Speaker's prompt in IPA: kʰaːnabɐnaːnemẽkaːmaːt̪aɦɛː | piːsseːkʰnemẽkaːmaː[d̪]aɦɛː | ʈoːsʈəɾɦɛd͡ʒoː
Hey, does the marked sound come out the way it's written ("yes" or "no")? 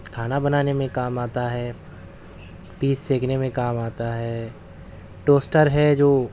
no